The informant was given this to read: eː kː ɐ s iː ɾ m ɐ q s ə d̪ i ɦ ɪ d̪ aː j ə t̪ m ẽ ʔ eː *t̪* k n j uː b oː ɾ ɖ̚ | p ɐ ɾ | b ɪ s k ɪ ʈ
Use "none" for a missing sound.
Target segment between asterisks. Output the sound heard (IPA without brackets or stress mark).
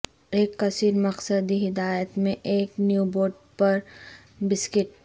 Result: none